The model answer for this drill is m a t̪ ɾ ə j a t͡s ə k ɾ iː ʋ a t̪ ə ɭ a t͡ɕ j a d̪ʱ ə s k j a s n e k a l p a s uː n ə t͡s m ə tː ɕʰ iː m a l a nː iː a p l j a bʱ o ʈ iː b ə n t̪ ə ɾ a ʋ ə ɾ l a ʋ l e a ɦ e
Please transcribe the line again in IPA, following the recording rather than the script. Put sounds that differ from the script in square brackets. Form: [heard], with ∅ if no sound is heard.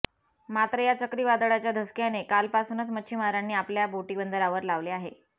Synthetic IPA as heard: m a t̪ ɾ ə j a t͡s ə k ɾ iː ʋ a [d̪] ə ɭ a t͡ɕ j a d̪ʱ ə s k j a [∅] n e k a l p a s uː n ə t͡s m ə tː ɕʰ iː m a [ɾ] a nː iː a p l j a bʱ o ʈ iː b ə n [d̪] ə ɾ a ʋ ə ɾ l a ʋ l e a ɦ e

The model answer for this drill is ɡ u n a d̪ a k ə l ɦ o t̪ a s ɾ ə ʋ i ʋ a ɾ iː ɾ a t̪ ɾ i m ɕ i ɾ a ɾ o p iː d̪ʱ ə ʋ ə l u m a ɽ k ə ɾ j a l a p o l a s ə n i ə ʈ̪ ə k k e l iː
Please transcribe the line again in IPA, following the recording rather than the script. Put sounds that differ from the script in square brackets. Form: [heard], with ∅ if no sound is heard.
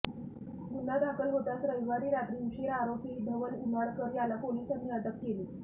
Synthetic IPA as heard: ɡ u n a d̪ a k ə l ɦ o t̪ a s ɾ ə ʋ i ʋ a ɾ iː ɾ a t̪ ɾ i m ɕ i ɾ a ɾ o p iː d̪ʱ ə ʋ ə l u m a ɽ k ə ɾ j a l a p o l [i] s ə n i ə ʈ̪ ə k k e l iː

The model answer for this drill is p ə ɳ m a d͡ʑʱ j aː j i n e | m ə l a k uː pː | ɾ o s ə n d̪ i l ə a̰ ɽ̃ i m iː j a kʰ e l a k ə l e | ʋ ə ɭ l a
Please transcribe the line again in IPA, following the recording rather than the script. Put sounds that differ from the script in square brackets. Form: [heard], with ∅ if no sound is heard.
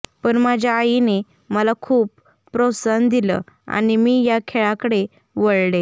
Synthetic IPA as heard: p ə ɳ m a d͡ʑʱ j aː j i n e | m ə l a [kʰ] uː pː | ɾ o s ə n d̪ i l ə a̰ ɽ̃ i m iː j a kʰ e [ɭ] a k ə [ɽ] e | ʋ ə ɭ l [e]

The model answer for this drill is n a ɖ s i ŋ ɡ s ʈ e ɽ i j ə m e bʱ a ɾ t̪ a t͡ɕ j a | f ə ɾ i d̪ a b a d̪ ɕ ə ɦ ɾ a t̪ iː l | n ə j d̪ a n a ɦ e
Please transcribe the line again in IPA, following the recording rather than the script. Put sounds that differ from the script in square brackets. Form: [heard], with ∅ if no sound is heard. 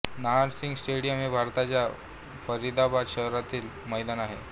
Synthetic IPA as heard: n a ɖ s i ŋ ɡ s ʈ e ɽ i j ə m e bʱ a ɾ t̪ a t͡ɕ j a | f ə ɾ i d̪ a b a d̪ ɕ ə ɦ ɾ a t̪ iː l | [m] ə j d̪ a n a ɦ e

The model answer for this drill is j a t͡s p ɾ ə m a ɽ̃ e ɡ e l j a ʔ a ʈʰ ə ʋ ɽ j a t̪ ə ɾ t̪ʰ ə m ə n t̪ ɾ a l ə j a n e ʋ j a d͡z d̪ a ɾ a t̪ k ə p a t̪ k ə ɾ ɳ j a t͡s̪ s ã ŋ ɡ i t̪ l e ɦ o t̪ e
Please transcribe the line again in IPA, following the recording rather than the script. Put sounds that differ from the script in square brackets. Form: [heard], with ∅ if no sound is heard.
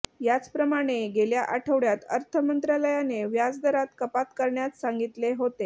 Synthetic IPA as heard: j a t͡s p ɾ ə m a ɽ̃ e ɡ e l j a ʔ a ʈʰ ə ʋ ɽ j a t̪ ə ɾ t̪ʰ ə m ə n t̪ ɾ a l ə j a n e ʋ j a d͡z d̪ [ə] ɾ a t̪ k ə p a t̪ k ə ɾ ɳ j a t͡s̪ s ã ŋ ɡ i t̪ l e ɦ o t̪ e

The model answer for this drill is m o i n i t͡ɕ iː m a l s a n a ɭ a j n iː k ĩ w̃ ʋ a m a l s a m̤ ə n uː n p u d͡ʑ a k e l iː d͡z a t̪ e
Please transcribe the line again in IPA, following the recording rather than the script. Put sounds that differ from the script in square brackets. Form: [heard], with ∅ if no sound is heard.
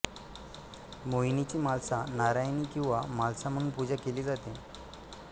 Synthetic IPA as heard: m o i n i t͡ɕ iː m a l s a n a [ɾ] a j n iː k ĩ w̃ ʋ a m a l s a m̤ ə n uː n p u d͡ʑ a k e l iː d͡z a t̪ e

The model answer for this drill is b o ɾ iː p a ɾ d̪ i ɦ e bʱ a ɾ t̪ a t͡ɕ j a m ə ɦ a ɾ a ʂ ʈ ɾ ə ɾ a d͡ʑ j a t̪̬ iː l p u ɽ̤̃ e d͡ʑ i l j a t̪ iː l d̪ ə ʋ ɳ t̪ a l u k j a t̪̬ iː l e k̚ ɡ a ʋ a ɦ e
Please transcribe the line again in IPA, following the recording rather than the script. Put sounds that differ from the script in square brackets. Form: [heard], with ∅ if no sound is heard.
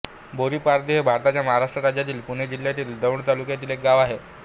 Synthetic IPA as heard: b o ɾ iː p a ɾ d̪ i ɦ e bʱ a ɾ t̪ a t͡ɕ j a m ə ɦ a ɾ a ʂ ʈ ɾ ə ɾ a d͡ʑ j a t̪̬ iː l p u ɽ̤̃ e d͡ʑ i l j a t̪ iː l d̪ ə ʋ ɳ t̪ a l u k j a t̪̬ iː l e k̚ ɡ a ʋ a ɦ e

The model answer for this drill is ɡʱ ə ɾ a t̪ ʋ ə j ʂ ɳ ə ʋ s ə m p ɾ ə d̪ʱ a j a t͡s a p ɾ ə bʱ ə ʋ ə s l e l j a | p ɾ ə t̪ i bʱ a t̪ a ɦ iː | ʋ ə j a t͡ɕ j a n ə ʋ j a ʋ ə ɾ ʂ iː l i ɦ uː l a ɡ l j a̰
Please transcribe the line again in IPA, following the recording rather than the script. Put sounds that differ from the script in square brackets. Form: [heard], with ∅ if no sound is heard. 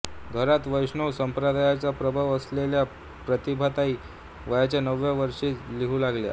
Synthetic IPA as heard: ɡʱ ə ɾ a t̪ ʋ ə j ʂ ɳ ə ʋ s ə m p ɾ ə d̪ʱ a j a t͡s a p ɾ ə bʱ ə ʋ ə s l e l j a | p ɾ ə t̪ i bʱ a t̪ a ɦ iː | ʋ ə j a t͡ɕ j a n ə ʋ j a ʋ ə ɾ ʂ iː l i ɦ uː l a ɡ l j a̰

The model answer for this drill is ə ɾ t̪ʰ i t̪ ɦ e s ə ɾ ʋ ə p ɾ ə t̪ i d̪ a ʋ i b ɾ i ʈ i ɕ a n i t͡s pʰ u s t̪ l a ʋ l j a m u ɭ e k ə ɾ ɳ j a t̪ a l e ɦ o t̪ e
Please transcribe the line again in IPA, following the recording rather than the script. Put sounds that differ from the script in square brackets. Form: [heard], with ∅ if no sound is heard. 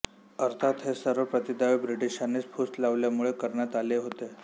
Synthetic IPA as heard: ə ɾ t̪ʰ [a] t̪ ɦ e s ə ɾ ʋ ə p ɾ ə t̪ i d̪ a ʋ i b ɾ i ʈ i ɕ a n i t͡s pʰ u s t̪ l a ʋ l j a m u ɭ e k ə ɾ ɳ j a t̪ a l e ɦ o t̪ e

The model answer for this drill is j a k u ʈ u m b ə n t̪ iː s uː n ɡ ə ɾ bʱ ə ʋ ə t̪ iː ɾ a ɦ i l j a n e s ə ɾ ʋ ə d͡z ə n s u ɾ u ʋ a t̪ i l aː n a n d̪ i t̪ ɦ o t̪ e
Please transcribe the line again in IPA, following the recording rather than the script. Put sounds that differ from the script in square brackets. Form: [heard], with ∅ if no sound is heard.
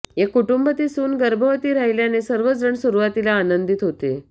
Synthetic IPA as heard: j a k u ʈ u m b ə [∅] t̪ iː s uː n ɡ ə ɾ bʱ ə ʋ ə t̪ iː ɾ a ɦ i l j a n e s ə ɾ ʋ ə d͡z ə [ɳ] s u ɾ u ʋ a t̪ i l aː n [ə] n d̪ i t̪ ɦ o t̪ e

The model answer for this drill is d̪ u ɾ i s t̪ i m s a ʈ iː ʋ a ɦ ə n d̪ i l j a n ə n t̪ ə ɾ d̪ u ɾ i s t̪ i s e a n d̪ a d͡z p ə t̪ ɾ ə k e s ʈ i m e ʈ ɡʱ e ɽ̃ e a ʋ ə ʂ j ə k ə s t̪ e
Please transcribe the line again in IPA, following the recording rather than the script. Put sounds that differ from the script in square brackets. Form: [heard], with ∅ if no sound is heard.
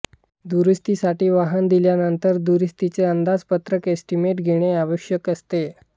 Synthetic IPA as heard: d̪ u ɾ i s t̪ i [∅] s a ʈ iː ʋ a ɦ ə n d̪ i l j a n ə n t̪ ə ɾ d̪ u ɾ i s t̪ i [t͡s] e [ə] n d̪ a d͡z p ə t̪ ɾ ə k e s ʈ i m e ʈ ɡʱ e ɽ̃ e a ʋ ə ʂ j ə k ə s t̪ e

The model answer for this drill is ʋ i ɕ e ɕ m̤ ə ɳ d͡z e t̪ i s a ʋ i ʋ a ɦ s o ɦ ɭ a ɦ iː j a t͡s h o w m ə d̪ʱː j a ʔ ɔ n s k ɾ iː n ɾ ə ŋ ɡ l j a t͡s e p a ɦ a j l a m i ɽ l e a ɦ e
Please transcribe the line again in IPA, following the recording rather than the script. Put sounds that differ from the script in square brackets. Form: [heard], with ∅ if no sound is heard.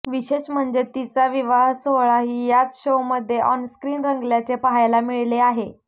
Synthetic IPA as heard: ʋ i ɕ e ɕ m̤ ə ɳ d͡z e t̪ i [t͡s] a ʋ i ʋ a ɦ s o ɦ ɭ a ɦ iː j a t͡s [ɕ] o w m ə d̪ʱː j [e] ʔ ɔ n s k ɾ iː n ɾ ə ŋ ɡ l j a t͡s e p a ɦ a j l a m i [ɭ] l e a ɦ e

